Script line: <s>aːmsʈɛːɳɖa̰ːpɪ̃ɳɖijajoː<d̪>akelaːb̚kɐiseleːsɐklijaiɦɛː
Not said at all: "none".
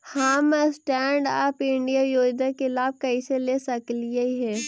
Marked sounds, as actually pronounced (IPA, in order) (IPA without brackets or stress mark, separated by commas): h, d̪